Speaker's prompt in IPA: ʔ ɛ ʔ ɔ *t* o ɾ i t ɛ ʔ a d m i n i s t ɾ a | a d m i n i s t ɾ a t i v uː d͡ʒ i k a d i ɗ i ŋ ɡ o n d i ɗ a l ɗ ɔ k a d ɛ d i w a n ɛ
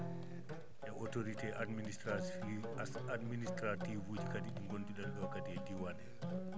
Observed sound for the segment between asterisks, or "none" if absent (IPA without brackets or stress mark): t